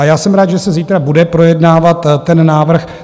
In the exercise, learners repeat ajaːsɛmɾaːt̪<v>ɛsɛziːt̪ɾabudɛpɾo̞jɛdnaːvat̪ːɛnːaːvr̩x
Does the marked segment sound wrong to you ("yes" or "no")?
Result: yes